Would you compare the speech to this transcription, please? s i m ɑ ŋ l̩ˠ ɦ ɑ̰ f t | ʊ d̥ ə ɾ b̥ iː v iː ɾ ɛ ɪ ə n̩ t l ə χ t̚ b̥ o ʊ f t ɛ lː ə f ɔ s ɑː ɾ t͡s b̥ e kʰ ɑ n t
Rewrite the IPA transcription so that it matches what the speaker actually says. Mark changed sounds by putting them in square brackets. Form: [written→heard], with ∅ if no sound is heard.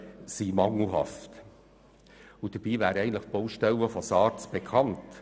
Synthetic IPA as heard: s i m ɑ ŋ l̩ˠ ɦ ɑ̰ f t | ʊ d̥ ə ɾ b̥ iː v [iː→æː] ɾ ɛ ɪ ə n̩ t l ə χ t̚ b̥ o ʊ [f→ʃ] t ɛ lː ə f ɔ s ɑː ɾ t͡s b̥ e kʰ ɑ n t